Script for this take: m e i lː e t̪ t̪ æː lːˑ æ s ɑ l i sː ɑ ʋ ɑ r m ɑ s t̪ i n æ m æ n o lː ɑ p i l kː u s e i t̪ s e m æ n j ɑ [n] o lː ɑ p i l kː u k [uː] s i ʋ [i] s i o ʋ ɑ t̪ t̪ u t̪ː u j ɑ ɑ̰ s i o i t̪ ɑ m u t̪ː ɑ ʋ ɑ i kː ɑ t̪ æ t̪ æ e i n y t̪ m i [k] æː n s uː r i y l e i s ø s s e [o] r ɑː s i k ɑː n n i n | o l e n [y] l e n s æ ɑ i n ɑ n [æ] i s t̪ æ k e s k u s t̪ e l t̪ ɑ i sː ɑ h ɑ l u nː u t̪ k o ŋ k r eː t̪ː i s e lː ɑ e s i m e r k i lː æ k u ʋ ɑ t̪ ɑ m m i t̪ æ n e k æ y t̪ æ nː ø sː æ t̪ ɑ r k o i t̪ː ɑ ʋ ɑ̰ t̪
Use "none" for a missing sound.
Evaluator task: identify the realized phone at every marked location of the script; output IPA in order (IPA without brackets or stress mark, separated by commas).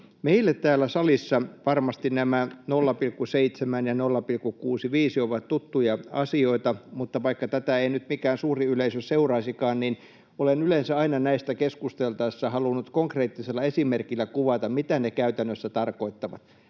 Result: n, uː, iː, k, u, y, æ